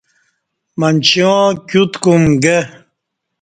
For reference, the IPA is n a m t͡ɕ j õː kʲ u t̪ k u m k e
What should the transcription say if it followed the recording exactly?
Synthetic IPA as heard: m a n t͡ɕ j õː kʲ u t̪ k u m ɡ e